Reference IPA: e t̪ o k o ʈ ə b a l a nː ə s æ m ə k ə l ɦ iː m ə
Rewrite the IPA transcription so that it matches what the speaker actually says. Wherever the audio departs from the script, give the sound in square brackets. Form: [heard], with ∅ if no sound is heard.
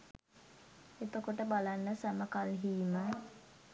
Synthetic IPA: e t̪ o k o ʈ ə b a l a nː ə s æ m ə k [a] l ɦ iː m ə